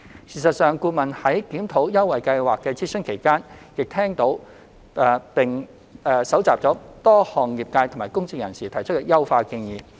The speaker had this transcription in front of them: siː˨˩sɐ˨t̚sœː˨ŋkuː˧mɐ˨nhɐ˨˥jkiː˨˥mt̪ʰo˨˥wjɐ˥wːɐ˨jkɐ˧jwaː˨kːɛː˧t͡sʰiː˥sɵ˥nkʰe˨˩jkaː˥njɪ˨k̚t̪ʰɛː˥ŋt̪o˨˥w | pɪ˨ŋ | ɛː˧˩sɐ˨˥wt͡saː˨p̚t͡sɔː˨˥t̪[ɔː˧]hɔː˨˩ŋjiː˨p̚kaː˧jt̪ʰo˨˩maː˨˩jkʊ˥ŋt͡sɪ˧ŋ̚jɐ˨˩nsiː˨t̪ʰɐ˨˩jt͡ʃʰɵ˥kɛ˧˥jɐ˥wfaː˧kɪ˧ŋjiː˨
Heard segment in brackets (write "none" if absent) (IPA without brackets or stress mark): ɔː˥